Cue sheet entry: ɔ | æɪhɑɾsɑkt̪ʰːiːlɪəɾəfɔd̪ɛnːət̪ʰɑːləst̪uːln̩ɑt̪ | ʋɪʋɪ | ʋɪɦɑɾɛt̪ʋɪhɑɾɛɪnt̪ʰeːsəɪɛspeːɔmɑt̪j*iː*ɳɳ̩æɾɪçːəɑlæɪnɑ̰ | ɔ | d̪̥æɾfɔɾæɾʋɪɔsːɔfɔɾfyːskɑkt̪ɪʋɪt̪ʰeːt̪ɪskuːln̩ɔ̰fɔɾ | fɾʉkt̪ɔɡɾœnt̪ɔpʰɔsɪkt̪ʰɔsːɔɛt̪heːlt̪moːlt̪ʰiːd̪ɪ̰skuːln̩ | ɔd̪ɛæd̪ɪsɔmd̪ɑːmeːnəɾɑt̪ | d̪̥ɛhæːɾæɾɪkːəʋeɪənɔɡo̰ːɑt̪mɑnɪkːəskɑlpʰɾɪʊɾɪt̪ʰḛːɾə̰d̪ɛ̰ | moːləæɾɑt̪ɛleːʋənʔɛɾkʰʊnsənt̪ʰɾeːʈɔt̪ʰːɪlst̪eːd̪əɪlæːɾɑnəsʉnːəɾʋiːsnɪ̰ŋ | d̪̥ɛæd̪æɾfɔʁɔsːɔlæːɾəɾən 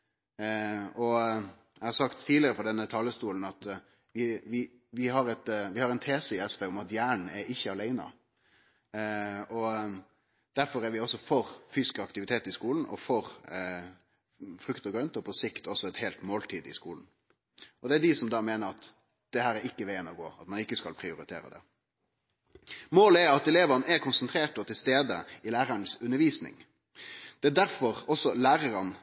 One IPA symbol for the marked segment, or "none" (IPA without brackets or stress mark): æː